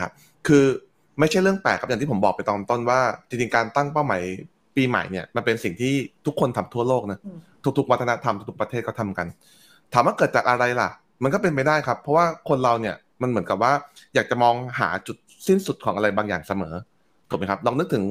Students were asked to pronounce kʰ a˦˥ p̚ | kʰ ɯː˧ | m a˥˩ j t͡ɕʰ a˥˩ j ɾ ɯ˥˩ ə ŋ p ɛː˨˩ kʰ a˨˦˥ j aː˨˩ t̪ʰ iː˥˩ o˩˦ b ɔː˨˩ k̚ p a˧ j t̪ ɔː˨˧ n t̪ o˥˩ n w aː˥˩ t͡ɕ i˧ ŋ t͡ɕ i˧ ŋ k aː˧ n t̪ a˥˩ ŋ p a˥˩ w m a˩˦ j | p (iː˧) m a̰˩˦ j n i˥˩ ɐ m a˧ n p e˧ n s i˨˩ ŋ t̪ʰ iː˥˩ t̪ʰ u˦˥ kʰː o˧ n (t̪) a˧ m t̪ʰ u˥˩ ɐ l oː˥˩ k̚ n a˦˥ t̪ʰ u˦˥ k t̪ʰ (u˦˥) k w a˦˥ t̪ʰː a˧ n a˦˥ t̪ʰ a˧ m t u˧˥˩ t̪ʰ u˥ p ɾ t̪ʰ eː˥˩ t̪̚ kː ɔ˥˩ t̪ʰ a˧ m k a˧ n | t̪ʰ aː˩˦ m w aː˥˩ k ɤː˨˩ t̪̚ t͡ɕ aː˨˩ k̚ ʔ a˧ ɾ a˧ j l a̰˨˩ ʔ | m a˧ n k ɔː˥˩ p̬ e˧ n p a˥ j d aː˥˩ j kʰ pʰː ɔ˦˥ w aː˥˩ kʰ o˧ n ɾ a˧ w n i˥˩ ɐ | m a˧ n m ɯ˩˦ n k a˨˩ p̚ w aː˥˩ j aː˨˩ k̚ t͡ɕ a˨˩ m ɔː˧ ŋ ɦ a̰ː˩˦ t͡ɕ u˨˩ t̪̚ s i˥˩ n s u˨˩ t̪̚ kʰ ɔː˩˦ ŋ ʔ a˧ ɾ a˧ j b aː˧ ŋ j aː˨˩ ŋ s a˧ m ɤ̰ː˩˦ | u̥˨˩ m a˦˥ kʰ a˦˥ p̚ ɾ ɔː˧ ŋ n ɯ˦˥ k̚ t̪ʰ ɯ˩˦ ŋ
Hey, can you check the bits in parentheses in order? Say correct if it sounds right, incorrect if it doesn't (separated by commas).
correct, incorrect, correct